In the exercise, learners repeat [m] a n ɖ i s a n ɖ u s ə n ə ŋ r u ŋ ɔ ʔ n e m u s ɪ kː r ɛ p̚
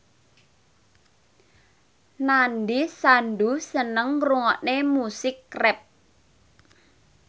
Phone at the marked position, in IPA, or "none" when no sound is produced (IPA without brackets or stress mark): n